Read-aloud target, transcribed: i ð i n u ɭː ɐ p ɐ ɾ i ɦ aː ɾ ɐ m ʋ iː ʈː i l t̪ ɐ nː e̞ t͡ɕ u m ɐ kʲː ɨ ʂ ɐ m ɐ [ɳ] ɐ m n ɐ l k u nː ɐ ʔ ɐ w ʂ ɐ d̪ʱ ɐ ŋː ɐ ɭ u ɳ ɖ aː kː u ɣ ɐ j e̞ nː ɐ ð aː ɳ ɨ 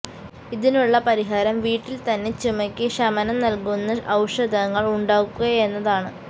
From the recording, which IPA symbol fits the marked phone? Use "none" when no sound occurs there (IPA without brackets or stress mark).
n